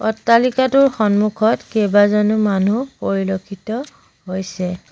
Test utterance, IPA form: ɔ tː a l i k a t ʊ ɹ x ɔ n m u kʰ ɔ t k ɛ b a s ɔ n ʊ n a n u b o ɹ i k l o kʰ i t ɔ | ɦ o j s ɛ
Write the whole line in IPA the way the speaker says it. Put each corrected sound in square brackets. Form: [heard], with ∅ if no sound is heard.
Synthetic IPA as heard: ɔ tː a l i k a t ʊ ɹ x ɔ n m u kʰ ɔ t k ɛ b a [z] ɔ n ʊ [m] a n u [p] o ɹ i [∅] l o kʰ i t ɔ | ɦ o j s ɛ